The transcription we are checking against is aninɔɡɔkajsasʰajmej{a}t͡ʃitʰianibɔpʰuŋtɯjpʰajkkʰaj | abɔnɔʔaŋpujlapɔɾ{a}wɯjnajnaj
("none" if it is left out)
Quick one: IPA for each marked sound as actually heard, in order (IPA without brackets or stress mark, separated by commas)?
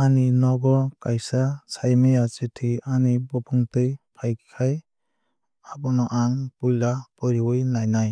a, i